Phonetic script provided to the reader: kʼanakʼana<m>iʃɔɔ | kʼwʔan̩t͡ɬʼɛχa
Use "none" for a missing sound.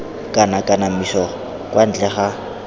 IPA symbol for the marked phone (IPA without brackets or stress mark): m